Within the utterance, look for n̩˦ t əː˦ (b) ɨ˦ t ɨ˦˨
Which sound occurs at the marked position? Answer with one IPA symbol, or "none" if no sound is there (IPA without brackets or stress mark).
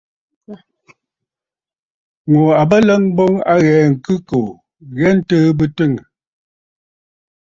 b